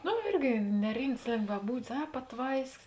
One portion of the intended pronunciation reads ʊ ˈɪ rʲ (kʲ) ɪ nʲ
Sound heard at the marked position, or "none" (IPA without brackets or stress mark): ɡʲ